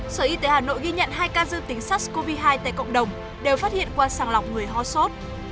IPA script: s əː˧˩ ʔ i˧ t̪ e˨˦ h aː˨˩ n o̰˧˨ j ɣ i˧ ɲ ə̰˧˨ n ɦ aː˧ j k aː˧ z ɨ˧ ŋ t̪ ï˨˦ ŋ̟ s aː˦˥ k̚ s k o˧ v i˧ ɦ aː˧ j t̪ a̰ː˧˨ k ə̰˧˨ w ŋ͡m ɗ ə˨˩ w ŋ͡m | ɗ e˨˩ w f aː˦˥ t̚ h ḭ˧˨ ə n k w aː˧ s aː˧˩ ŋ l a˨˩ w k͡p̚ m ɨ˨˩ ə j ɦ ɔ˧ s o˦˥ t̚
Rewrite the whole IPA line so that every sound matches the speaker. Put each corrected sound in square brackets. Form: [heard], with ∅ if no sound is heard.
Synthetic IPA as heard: s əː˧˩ ʔ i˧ t̪ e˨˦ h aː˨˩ n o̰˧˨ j ɣ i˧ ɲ ə̰˧˨ n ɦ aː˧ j k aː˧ z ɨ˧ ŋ t̪ ï˨˦ ŋ̟ s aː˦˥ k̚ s k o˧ v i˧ ɦ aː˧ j t̪ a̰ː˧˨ k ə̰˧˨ w ŋ͡m ɗ ə˨˩ w ŋ͡m | ɗ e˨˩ w f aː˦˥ t̚ h ḭ˧˨ ə n k w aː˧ s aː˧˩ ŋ l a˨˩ w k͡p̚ [ŋ] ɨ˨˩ ə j ɦ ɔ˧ s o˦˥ t̚